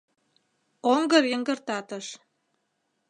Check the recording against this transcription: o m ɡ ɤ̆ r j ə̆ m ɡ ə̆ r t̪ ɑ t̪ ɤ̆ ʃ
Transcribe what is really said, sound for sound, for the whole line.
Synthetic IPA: o ŋ ɡ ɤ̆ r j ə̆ ŋ ɡ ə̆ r t̪ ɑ t̪ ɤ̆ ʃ